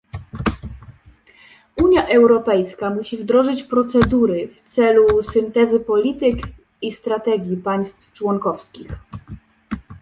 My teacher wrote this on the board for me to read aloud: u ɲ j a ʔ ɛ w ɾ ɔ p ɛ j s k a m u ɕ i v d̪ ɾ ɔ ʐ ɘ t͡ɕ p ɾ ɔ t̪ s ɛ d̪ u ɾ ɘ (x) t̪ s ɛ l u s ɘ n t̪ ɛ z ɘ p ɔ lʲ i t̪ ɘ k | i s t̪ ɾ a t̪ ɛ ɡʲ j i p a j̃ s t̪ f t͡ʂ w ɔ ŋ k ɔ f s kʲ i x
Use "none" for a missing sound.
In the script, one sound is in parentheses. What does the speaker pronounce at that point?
f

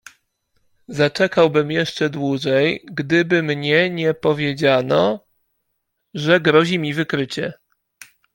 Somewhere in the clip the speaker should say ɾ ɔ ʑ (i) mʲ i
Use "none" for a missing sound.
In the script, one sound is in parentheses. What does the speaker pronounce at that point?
i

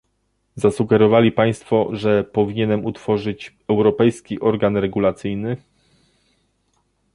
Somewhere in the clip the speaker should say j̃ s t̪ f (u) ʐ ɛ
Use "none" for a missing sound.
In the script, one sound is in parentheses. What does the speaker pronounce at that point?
ɔ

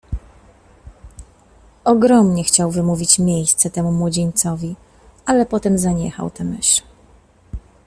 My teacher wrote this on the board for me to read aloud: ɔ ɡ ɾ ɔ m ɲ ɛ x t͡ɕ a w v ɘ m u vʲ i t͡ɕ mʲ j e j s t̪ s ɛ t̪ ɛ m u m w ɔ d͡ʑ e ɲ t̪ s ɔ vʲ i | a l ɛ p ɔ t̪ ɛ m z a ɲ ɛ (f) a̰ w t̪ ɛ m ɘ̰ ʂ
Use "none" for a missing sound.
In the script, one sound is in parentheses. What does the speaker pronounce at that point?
x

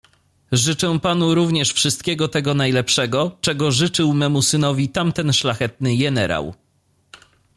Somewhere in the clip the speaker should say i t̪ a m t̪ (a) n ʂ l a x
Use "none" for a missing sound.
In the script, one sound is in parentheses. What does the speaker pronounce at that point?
ɛ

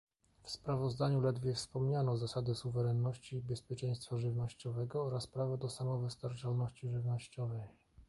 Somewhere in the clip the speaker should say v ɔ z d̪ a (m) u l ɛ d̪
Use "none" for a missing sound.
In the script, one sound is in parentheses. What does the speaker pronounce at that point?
ɲ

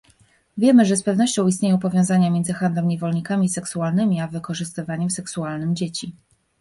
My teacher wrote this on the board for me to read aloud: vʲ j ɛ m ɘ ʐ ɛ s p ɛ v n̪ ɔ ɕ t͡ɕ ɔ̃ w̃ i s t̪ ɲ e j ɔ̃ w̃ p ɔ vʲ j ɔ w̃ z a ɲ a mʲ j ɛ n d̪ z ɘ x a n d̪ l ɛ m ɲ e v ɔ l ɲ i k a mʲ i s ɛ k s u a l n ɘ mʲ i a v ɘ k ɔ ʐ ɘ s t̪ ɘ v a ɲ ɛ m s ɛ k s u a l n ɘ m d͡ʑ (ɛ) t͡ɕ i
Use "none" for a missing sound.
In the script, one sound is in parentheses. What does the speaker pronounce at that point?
e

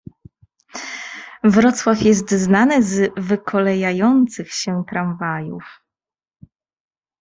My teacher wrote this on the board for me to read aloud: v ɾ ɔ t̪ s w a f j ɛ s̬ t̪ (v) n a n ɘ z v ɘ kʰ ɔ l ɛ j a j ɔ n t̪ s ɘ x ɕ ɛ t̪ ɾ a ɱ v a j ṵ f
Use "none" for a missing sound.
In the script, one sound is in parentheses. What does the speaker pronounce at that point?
z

